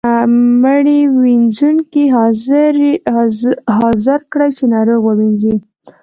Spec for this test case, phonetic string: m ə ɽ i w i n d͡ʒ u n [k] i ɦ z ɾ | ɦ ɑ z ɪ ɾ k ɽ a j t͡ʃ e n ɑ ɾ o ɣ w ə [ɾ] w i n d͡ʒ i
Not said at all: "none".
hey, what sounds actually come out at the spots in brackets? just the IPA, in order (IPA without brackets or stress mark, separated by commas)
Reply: k, none